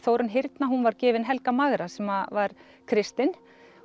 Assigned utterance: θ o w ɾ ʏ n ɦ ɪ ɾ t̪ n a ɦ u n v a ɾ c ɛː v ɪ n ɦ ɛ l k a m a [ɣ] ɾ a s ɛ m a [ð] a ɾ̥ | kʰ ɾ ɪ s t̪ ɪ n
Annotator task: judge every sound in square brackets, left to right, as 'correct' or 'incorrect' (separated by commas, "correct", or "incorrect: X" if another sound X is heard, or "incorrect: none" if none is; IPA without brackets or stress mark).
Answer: correct, incorrect: v